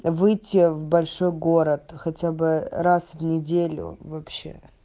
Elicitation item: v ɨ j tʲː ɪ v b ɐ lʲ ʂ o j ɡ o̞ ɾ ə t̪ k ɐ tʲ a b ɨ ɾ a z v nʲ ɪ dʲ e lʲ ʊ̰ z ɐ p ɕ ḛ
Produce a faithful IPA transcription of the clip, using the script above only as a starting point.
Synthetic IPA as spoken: v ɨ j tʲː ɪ v b ɐ lʲ ʂ o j ɡ o̞ ɾ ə t̪ x ɐ tʲ a b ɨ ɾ a s v nʲ ɪ dʲ e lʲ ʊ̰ v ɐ p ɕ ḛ